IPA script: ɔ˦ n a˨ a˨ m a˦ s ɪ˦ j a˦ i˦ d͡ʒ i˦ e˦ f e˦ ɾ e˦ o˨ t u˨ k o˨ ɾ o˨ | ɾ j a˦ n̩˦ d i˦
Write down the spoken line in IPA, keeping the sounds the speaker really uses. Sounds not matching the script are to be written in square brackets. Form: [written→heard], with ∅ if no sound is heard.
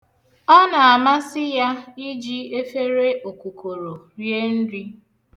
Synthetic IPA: ɔ˦ n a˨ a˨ m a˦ s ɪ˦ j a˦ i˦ d͡ʒ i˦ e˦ f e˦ ɾ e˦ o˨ [t→k] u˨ k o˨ ɾ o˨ | ɾ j [a˦→e˦] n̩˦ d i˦